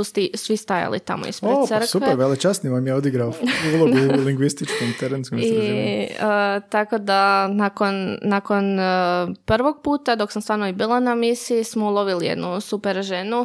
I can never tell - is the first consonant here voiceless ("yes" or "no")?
yes